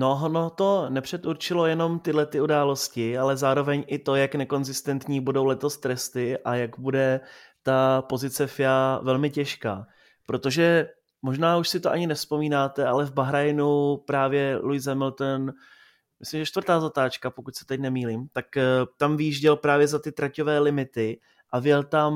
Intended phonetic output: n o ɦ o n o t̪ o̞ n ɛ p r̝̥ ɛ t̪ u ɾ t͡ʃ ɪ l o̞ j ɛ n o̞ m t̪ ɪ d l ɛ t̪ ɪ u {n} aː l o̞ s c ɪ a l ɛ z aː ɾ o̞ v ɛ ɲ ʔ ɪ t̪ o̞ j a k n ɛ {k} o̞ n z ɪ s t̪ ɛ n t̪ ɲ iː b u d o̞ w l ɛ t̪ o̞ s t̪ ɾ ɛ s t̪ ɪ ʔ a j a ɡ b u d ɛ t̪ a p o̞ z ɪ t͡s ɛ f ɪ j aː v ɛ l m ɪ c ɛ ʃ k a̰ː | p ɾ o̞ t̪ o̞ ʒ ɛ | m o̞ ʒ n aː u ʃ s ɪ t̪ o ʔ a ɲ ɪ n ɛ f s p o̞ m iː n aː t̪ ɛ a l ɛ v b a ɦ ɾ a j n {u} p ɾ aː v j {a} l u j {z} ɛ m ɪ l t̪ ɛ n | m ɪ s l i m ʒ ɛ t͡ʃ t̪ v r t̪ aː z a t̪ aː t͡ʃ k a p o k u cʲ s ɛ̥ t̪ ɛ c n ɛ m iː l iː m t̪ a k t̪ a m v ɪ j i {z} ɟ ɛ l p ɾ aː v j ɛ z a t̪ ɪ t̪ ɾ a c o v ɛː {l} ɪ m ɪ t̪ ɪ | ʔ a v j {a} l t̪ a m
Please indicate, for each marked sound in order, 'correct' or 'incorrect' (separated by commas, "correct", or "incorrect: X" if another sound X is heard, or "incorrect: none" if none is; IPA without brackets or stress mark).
incorrect: d, correct, correct, incorrect: ɛ, correct, incorrect: ʒ, correct, incorrect: ɛ